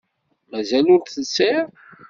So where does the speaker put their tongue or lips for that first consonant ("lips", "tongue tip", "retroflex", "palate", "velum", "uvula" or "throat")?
lips